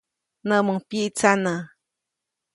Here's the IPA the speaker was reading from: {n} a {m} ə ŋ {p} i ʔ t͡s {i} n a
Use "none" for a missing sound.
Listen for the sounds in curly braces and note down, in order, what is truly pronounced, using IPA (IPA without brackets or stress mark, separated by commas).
n, m, p, a